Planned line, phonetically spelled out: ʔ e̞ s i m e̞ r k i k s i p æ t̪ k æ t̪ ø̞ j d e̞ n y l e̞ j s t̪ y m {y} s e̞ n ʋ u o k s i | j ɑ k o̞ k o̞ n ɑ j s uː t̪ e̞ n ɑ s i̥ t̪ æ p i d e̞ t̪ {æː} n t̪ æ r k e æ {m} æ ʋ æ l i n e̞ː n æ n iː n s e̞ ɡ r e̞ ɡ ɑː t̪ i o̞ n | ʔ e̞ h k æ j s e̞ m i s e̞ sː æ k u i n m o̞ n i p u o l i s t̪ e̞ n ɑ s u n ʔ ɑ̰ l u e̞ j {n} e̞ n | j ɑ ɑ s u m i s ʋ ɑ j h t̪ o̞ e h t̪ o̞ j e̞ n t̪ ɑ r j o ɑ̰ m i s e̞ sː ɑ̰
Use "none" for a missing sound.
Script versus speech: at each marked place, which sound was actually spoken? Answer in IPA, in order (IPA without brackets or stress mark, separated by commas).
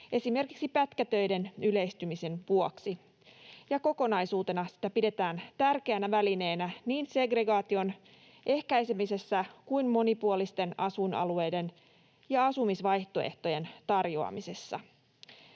i, æː, n, d